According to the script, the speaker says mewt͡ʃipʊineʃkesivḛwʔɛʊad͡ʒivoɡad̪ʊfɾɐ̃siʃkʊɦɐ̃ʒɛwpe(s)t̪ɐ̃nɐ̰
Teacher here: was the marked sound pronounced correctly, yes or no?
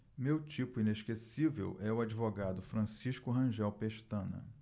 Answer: no